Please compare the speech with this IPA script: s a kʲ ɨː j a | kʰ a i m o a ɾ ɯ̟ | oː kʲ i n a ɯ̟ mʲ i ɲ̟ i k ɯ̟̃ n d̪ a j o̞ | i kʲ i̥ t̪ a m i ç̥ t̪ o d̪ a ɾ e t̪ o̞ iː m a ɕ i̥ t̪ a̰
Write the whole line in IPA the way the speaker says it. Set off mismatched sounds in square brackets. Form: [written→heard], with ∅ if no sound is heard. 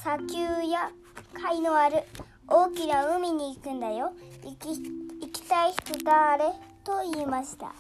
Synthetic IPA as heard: s a kʲ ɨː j a | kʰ a i [m→n] o a ɾ ɯ̟ | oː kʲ i n a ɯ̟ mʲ i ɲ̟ [i→iː] k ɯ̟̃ n d̪ a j o̞ | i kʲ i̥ t̪ a [m→∅] i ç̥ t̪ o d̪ a ɾ e t̪ o̞ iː m a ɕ i̥ t̪ a̰